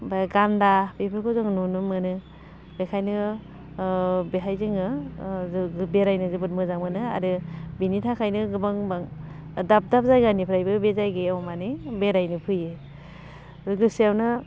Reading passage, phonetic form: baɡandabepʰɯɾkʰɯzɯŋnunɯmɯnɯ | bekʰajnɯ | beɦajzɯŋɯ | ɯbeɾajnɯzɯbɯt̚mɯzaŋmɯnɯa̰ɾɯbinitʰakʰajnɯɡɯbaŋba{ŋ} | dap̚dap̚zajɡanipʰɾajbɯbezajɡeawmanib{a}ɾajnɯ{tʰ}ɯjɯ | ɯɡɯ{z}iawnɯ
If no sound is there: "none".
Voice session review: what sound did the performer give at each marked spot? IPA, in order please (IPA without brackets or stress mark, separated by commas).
ŋ, e, pʰ, s